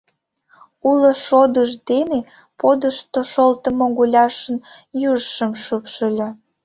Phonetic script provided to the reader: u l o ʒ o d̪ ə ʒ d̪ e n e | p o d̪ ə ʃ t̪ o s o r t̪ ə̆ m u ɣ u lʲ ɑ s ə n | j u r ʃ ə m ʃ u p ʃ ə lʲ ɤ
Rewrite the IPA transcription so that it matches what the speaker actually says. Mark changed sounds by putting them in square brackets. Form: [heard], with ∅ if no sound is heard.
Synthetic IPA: u l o [ʃ] o d̪ ə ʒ d̪ e n e | p o d̪ ə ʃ t̪ o [ʃ] o [l] t̪ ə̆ m [o] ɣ u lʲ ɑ [ʃ] ə n | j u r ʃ ə m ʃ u p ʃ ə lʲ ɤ